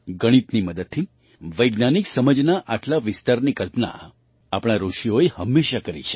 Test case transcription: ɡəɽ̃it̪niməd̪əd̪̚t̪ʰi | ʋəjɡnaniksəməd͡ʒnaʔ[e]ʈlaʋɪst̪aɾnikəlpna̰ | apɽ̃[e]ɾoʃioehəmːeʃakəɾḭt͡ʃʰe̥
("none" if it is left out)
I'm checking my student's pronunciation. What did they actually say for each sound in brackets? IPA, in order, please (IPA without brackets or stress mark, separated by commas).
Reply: a, a